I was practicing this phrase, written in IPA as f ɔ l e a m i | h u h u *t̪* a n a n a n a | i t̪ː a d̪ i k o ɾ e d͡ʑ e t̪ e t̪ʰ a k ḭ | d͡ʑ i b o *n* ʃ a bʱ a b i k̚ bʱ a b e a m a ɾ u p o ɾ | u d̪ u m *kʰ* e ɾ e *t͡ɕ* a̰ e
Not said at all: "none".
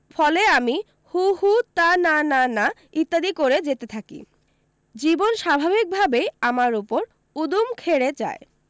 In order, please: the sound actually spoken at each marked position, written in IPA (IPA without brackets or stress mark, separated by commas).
t̪, n, kʰ, t͡ɕ